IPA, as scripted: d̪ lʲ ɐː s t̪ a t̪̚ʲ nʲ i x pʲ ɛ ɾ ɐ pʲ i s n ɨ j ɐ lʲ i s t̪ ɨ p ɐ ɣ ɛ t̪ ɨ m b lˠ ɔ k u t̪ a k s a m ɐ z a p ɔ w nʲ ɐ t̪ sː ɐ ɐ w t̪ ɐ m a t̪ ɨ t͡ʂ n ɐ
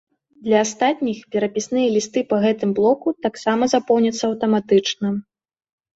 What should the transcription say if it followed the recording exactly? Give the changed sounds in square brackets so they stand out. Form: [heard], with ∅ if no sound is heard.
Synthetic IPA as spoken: d̪ lʲ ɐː s t̪ a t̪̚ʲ nʲ i x pʲ ɛ ɾ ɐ pʲ i s n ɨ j ɐ lʲ i s t̪ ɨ p ɐ ɣ ɛ t̪ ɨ m b lˠ ɔ k u t̪ a k s a m ɐ z a p ɔ w nʲ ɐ t̪ sː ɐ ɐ w t̪ ɐ m a t̪ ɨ t͡ʂ n ɐ